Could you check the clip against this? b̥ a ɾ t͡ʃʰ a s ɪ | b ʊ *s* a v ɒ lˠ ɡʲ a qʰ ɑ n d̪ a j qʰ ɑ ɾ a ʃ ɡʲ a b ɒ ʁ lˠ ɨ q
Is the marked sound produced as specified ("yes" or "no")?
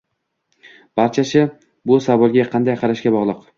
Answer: yes